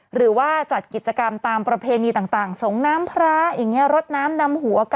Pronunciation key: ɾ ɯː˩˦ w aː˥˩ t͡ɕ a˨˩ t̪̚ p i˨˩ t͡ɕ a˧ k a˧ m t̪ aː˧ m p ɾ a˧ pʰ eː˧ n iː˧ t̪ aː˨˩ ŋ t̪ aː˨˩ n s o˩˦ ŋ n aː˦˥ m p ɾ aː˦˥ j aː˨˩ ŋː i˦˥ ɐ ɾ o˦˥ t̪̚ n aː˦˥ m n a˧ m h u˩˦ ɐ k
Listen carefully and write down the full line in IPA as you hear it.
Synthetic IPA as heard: ɾ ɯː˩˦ w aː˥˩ t͡ɕ a˨˩ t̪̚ k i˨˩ t͡ɕ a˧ k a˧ m t̪ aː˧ m p ɾ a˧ pʰ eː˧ n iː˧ t̪ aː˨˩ ŋ t̪ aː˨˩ ŋ s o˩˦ ŋ n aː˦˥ m pʰ ɾ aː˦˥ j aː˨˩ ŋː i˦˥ ɐ ɾ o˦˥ t̪̚ n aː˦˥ m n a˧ m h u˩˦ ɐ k